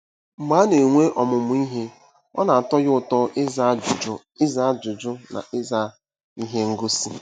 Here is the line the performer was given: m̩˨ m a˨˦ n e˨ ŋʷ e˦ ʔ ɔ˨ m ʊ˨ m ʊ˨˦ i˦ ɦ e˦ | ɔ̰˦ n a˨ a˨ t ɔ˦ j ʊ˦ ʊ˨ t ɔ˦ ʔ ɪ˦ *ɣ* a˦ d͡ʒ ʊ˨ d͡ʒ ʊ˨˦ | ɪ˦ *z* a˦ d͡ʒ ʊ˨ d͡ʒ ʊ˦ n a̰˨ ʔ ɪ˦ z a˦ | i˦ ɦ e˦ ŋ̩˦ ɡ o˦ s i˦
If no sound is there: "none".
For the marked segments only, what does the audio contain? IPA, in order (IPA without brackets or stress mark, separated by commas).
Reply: z, z